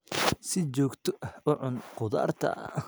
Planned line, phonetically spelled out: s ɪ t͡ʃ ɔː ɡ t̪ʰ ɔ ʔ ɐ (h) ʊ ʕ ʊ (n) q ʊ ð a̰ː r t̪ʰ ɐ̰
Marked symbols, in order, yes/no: yes, yes

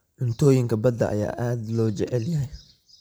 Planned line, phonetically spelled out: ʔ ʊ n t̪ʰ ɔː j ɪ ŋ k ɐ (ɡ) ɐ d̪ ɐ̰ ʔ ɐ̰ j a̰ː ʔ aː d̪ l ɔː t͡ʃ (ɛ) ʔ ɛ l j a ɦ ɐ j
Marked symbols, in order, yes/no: no, yes

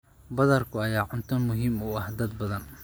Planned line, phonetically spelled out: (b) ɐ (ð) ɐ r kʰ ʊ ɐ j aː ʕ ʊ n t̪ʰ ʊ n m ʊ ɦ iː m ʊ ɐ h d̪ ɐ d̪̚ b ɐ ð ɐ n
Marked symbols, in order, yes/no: yes, yes

